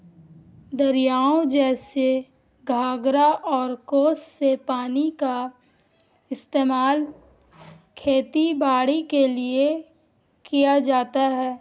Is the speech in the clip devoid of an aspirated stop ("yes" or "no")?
no